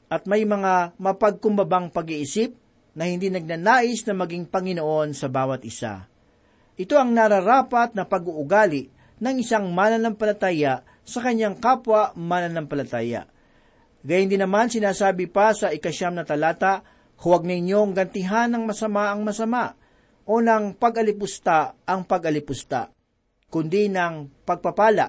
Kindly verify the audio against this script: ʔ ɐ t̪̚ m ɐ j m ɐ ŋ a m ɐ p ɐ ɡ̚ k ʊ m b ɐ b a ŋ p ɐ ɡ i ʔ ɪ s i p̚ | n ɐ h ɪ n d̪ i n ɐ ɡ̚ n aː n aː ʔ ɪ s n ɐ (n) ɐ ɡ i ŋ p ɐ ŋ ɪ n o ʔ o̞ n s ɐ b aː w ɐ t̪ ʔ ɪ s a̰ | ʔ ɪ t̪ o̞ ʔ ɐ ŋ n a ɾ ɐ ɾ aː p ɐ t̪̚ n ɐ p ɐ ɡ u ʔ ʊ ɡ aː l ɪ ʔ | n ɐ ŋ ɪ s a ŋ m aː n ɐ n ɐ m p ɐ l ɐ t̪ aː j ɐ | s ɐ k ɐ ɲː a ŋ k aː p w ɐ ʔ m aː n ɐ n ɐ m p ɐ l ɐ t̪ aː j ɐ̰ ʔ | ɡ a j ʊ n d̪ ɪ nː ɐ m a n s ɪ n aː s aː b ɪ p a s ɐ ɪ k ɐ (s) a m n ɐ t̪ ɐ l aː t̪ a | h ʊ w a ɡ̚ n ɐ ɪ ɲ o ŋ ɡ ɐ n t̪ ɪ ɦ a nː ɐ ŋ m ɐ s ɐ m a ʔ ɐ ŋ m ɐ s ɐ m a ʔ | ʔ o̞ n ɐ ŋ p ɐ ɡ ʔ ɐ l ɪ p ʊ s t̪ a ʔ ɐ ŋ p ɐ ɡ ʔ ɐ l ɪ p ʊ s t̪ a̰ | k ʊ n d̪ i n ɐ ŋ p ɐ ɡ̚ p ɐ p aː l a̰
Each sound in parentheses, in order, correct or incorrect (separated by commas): incorrect, incorrect